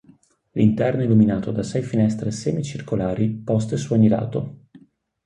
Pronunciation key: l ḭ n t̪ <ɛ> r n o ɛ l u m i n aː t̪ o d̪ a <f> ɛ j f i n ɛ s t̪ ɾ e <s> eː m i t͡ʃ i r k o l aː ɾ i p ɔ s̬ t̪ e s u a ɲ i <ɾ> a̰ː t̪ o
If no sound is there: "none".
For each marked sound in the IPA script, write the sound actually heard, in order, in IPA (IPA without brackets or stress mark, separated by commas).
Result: ɛ, s, s, l